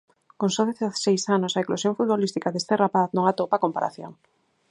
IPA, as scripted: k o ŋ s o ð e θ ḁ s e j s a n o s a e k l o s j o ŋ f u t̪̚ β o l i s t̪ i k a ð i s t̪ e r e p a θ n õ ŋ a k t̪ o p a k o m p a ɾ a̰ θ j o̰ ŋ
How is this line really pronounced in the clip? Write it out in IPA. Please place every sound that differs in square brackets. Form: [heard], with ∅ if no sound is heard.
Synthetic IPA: k o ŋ s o ð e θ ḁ s e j s a n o s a e k l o s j o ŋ f u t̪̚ β o l i s t̪ i k a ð [e] s t̪ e r [a] p a θ n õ ŋ a [∅] t̪ o p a k o m p a ɾ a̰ θ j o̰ ŋ